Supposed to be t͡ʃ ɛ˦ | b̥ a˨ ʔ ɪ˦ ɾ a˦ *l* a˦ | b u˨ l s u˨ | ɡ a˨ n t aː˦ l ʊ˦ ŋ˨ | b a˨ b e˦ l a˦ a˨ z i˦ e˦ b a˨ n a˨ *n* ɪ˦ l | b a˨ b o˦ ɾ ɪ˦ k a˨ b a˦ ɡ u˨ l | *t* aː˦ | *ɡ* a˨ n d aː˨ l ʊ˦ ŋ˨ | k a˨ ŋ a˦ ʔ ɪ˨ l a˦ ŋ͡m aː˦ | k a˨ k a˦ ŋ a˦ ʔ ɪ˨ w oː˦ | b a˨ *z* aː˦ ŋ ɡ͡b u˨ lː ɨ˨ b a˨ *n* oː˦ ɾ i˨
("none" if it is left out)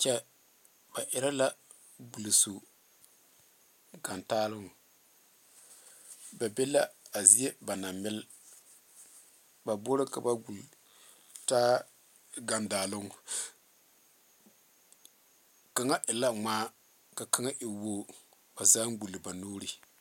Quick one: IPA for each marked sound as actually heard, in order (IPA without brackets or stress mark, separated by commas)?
l, m, t, ɡ, z, n